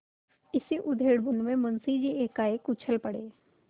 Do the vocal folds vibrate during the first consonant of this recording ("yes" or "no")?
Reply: no